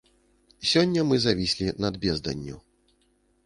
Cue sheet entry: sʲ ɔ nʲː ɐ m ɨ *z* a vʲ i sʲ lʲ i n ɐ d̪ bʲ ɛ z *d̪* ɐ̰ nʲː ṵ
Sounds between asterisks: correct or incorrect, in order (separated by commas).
correct, correct